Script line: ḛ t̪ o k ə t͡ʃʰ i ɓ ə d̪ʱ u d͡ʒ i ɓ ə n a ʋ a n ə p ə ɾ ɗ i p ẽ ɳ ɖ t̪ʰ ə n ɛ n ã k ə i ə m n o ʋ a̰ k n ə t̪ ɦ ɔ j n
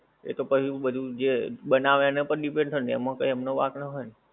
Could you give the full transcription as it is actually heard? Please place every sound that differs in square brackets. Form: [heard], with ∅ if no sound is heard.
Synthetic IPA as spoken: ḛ t̪ o [p] ə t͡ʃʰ i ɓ ə d̪ʱ u d͡ʒ [e] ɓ ə n a ʋ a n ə p ə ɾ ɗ i p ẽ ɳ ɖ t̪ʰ ə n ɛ [m] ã k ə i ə m n o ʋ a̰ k n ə [∅] ɦ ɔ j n